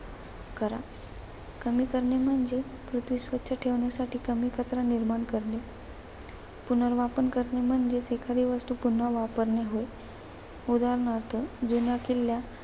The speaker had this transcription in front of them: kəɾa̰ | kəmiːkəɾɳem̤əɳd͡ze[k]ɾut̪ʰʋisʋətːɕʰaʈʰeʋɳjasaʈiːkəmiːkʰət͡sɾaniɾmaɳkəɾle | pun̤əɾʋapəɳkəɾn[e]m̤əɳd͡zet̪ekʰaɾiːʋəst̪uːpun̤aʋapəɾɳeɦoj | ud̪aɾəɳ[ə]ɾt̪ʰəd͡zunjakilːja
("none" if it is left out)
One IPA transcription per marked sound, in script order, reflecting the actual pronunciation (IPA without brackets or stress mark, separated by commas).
p, e, ə